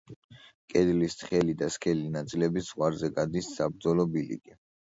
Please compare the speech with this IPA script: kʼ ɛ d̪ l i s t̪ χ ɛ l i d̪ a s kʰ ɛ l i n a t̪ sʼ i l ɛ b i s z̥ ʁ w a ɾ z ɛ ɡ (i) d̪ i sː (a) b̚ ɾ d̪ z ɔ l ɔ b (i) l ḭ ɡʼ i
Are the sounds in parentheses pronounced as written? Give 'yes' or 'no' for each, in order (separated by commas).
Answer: no, yes, yes